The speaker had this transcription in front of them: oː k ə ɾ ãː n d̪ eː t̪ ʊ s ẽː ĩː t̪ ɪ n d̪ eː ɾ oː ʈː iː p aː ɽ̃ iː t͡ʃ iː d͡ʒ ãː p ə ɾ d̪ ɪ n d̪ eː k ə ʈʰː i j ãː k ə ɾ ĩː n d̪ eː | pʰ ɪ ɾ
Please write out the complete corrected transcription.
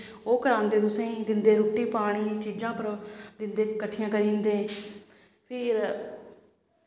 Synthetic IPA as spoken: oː k ə ɾ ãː n d̪ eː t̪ ʊ s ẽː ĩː d̪ ɪ n d̪ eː ɾ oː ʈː iː p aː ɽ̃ iː t͡ʃ iː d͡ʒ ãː p ə ɾ d̪ ɪ n d̪ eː k ə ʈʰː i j ãː k ə ɾ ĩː n d̪ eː | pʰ ɪ ɾ